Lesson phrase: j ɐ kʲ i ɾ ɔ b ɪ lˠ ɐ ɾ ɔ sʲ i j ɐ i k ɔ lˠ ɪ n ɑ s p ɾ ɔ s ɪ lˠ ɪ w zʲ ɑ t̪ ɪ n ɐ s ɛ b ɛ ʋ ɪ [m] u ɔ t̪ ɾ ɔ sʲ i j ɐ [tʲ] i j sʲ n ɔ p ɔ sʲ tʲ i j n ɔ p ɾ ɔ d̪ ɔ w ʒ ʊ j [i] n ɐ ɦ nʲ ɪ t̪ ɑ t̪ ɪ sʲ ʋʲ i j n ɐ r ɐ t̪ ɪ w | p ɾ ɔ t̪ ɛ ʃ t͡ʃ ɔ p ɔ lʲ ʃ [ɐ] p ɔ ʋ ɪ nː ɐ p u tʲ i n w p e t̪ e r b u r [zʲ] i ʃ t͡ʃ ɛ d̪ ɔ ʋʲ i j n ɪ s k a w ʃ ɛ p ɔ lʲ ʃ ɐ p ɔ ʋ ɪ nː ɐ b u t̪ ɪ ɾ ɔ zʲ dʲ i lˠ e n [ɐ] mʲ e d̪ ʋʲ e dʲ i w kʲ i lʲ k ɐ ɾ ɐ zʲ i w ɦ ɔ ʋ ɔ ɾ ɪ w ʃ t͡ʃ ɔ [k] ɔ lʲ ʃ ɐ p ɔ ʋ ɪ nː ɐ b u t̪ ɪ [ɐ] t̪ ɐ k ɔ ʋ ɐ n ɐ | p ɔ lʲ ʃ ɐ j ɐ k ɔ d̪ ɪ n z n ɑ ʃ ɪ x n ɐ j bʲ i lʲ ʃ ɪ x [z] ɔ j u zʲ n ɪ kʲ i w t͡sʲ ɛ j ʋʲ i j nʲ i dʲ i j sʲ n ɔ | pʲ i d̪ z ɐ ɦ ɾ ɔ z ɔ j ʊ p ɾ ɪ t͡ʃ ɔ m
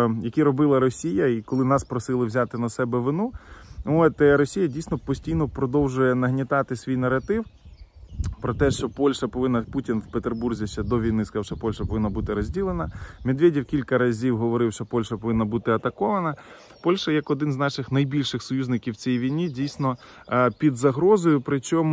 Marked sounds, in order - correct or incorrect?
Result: incorrect: n, incorrect: dʲ, incorrect: ɛ, correct, correct, correct, incorrect: p, correct, incorrect: s

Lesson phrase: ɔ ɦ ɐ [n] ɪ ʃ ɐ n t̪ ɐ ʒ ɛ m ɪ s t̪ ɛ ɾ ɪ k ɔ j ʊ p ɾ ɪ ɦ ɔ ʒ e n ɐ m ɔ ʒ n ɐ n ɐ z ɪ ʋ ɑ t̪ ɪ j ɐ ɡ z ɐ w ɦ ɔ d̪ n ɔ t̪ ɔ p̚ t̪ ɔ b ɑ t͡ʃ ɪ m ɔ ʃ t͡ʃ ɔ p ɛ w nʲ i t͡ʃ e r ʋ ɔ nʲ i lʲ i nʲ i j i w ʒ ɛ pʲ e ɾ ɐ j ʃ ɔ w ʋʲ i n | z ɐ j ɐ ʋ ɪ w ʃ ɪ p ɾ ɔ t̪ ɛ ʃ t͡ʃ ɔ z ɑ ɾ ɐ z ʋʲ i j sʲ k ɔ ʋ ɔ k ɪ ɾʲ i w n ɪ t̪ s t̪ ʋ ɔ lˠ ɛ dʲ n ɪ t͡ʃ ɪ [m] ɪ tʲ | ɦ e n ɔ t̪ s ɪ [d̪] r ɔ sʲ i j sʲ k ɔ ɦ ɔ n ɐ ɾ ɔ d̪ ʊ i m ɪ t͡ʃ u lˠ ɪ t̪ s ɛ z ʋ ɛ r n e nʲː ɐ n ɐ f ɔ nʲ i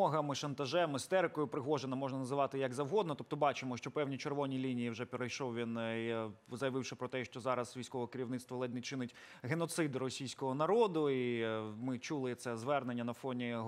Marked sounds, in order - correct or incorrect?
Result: incorrect: m, incorrect: n, correct

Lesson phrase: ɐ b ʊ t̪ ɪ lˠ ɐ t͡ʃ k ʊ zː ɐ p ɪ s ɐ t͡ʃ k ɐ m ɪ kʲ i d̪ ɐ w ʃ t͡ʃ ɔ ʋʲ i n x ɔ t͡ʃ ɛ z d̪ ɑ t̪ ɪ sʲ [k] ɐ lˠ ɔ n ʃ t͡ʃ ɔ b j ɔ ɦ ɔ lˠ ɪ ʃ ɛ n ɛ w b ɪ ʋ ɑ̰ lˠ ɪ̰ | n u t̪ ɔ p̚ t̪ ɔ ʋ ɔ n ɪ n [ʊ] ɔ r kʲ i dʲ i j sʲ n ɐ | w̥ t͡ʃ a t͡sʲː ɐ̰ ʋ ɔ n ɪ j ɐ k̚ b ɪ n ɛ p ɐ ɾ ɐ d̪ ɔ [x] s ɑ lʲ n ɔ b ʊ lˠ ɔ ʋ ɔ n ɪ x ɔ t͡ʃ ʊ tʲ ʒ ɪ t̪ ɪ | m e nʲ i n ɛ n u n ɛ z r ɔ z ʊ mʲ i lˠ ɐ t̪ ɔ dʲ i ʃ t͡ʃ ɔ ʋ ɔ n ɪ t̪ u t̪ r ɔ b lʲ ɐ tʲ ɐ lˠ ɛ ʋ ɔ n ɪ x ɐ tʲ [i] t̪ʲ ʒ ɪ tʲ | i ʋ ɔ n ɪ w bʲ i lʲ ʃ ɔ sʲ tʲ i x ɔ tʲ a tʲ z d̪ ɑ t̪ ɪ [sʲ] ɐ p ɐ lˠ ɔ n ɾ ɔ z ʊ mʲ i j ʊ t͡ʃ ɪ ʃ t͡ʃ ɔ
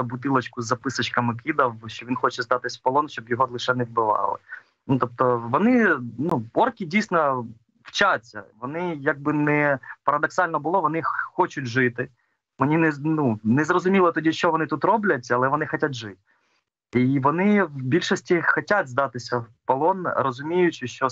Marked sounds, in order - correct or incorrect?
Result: incorrect: p, incorrect: u, incorrect: k, incorrect: a, correct

